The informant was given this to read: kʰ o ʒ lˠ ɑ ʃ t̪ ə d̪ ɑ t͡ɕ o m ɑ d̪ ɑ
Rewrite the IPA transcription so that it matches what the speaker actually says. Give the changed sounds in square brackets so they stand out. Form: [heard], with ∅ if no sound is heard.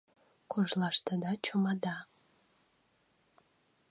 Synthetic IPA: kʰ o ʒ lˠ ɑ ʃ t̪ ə d̪ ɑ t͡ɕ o m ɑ d̪ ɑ